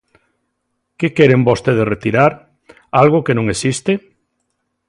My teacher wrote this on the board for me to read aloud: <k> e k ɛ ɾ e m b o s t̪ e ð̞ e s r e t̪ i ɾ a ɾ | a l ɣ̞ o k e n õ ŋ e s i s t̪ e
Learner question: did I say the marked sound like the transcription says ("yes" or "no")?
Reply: yes